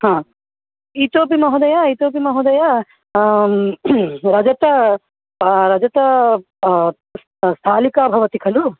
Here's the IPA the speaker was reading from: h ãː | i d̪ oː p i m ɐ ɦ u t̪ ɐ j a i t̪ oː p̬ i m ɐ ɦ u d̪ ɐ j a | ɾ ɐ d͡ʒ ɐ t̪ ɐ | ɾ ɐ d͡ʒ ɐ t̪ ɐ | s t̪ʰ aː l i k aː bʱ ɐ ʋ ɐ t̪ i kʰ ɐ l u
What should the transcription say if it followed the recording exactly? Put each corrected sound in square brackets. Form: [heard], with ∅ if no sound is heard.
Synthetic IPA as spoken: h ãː | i [t̪] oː p i m ɐ ɦ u [d̪] ɐ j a i t̪ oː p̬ i m ɐ ɦ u d̪ ɐ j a | ɾ ɐ d͡ʒ ɐ t̪ ɐ | ɾ ɐ d͡ʒ ɐ t̪ ɐ | s t̪ʰ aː l i k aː bʱ ɐ ʋ ɐ t̪ i kʰ ɐ l u